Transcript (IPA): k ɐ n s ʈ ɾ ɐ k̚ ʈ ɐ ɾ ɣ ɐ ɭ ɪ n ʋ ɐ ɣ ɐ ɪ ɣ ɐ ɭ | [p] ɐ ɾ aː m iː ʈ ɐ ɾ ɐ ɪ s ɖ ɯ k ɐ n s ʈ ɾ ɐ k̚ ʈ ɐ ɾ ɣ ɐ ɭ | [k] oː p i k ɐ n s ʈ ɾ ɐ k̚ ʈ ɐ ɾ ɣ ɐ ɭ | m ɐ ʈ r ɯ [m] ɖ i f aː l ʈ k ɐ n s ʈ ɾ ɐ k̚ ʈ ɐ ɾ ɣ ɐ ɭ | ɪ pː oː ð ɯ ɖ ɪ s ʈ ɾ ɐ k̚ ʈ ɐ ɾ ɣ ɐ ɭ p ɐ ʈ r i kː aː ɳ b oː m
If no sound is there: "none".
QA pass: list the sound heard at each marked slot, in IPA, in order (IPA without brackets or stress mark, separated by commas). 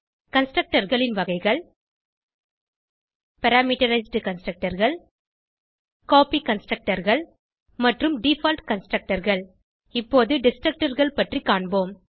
p, k, m